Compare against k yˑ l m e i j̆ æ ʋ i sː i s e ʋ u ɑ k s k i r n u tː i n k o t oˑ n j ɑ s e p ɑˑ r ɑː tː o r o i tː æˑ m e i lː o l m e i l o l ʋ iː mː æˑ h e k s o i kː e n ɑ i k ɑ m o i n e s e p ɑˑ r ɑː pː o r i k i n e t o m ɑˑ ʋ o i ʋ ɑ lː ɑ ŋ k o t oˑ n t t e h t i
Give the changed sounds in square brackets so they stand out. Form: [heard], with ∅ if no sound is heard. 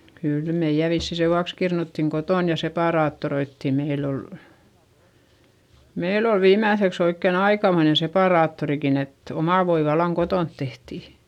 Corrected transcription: k yˑ l m e i j̆ æ ʋ i sː i s e ʋ u ɑ k s k i r n u tː i [ŋ] k o t oˑ n j ɑ s e p ɑˑ r ɑː tː o r o i tː [iˑ] m e i lː o l m e i l o l ʋ iː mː æˑ [θ] e k s o i kː e n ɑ i k ɑ m o i n e s e p ɑˑ r ɑː [tː] o r i k i n e t o m ɑˑ ʋ o i ʋ ɑ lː ɑ ŋ k o t oˑ n t t e h t i